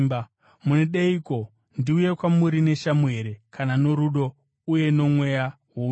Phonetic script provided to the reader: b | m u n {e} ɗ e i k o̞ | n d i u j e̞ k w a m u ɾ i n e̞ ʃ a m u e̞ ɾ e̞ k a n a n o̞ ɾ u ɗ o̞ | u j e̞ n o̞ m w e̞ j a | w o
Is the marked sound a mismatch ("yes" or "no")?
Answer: no